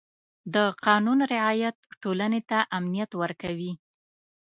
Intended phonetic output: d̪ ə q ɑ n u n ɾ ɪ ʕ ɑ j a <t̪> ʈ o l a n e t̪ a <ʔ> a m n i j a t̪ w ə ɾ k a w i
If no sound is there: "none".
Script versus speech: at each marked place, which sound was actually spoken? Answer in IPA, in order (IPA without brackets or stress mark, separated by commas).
t̪, ʔ